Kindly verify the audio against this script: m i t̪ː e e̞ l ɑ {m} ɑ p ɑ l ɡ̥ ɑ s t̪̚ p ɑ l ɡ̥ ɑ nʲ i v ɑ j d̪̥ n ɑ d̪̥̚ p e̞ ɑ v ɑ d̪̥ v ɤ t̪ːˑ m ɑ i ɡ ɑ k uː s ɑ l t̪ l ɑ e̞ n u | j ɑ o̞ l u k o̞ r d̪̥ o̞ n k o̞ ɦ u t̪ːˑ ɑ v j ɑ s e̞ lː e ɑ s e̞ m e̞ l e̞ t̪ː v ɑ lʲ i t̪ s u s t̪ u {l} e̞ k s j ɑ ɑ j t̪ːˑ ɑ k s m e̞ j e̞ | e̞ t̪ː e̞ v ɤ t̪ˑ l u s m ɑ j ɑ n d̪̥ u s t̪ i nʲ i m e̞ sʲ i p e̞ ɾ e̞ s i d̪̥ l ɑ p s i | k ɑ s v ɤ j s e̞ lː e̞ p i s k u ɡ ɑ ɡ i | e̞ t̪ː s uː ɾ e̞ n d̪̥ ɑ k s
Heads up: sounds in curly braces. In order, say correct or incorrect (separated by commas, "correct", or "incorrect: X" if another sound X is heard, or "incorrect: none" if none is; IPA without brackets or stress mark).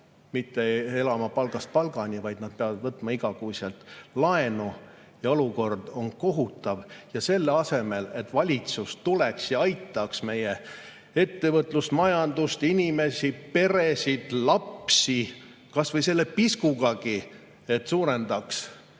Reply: correct, correct